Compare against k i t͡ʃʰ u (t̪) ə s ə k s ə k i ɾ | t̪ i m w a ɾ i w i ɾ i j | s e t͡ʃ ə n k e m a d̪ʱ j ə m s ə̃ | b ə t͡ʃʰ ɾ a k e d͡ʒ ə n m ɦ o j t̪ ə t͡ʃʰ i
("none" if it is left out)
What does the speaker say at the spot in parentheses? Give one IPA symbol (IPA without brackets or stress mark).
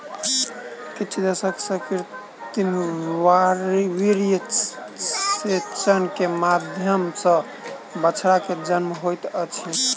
d̪